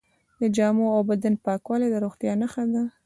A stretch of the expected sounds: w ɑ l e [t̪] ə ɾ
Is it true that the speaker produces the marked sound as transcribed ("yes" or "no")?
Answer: no